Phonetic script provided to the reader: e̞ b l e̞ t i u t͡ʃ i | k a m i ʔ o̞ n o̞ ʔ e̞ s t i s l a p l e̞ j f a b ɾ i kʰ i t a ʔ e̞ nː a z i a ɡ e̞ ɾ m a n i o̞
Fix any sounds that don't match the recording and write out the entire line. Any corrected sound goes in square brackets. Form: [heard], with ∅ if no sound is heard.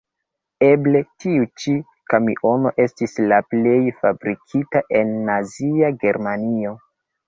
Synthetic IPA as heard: e̞ b l e̞ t i u t͡ʃ i | k a m i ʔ o̞ n o̞ ʔ e̞ s t i s l a p l e̞ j f a b ɾ i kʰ i t a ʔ e̞ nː a z i a ɡ e̞ ɾ m a n i o̞